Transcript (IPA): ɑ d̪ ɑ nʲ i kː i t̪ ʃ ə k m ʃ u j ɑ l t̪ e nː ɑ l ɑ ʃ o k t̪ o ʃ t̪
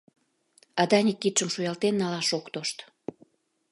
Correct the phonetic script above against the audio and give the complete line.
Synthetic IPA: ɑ d̪ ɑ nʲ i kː i t̪ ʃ ə m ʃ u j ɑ l t̪ e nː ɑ l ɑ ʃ o k t̪ o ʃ t̪